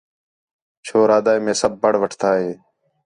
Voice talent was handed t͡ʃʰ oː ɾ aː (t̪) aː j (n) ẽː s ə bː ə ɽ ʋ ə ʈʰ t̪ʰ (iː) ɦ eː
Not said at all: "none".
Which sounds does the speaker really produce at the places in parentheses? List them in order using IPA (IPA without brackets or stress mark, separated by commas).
d̪, m, aː